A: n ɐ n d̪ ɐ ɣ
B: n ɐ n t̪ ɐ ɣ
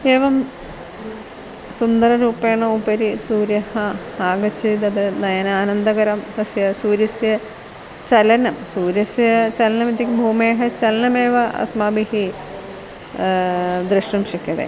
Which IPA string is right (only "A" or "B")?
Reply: A